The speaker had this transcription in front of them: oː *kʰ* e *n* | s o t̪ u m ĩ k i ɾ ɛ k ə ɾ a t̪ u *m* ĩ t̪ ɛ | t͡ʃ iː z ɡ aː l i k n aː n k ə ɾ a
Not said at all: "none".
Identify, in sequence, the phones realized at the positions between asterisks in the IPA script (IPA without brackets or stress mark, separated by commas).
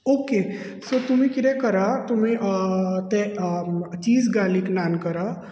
k, none, m